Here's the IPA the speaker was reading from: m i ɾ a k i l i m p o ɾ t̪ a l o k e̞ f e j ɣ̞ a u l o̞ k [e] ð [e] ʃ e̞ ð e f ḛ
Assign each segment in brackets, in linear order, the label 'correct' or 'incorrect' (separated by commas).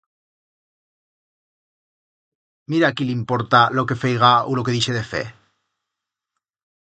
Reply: correct, incorrect